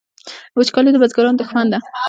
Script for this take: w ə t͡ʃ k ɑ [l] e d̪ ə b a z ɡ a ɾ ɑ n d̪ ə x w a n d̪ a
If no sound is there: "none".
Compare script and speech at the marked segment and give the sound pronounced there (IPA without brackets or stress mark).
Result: l